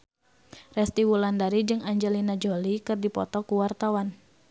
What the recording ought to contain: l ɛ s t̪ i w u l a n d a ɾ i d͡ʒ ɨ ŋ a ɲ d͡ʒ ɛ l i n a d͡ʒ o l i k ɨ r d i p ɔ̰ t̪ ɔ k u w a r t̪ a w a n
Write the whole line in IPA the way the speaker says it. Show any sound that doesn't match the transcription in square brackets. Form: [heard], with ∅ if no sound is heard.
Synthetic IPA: [r] ɛ s t̪ i w u l a n d a ɾ i d͡ʒ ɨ ŋ a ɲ d͡ʒ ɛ l i n a d͡ʒ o l i k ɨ r d i p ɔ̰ t̪ ɔ k u w a r t̪ a w a n